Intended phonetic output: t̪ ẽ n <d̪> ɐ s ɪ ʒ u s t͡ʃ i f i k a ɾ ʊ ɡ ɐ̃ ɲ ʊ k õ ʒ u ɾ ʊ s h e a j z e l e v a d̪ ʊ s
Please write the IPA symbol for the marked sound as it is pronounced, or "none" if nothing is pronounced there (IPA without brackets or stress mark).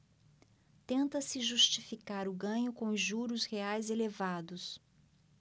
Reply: t̪